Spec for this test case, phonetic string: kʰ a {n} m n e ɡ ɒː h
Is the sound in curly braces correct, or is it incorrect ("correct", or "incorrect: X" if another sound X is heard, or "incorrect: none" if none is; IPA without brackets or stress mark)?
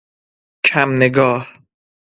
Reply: incorrect: none